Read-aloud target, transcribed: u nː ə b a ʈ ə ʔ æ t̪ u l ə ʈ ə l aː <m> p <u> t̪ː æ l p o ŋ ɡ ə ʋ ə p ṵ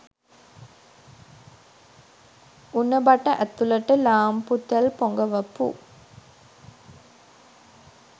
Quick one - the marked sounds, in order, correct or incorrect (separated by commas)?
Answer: correct, correct